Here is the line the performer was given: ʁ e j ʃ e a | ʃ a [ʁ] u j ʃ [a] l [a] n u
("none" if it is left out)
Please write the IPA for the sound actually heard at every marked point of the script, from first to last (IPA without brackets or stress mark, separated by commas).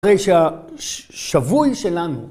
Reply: v, e, a